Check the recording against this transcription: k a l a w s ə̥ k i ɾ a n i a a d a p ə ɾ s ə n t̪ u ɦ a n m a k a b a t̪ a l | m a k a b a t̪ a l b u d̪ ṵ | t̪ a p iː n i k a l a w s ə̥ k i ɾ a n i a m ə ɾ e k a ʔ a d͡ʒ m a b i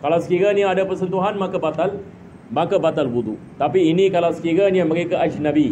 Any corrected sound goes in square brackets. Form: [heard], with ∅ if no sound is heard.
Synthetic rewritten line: k a l a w s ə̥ k i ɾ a n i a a d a p ə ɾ s ə n t̪ u ɦ a n m a k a b a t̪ a l | m a k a b a t̪ a l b u d̪ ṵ | t̪ a p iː n i k a l a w s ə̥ k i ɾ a n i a m ə ɾ e k a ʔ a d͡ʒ [n] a b i